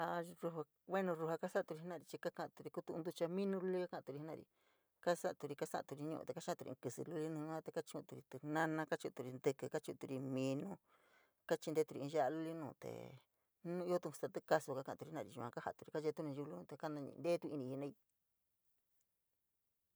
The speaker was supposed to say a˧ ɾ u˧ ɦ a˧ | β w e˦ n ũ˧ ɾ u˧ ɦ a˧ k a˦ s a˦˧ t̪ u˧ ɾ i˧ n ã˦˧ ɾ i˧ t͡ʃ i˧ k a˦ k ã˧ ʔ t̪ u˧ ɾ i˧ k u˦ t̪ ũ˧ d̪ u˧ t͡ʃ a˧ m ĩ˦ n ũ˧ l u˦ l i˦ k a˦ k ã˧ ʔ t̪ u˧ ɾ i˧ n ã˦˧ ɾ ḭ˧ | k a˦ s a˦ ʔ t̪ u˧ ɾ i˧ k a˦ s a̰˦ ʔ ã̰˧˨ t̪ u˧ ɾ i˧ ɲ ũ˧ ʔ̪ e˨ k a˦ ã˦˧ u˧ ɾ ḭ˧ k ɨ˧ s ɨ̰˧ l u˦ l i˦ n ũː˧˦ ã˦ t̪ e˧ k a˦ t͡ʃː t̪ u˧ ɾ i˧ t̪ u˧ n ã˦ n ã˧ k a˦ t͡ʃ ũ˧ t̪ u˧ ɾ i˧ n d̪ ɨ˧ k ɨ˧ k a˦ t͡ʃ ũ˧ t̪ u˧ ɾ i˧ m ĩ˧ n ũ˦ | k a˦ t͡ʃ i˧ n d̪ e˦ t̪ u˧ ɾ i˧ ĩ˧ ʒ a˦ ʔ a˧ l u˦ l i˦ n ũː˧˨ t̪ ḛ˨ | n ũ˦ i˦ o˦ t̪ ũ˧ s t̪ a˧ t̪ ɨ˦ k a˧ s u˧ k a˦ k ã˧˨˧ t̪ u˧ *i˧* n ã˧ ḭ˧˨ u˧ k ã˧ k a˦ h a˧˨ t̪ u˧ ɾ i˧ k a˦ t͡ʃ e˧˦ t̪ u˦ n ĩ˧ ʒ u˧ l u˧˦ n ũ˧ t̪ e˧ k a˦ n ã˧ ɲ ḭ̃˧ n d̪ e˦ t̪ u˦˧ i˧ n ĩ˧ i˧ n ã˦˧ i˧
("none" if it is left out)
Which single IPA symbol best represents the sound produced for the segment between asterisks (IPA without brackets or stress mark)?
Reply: i˧